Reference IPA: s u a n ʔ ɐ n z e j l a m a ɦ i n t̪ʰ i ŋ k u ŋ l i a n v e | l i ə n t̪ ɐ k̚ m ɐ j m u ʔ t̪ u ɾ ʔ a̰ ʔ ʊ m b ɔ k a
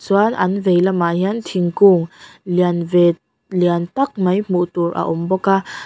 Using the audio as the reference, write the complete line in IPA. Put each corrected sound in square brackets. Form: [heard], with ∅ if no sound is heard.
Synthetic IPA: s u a n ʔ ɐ n [v] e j l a m a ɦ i n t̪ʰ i ŋ k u ŋ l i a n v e | l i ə n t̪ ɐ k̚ m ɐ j m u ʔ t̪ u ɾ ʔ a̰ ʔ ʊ m b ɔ k a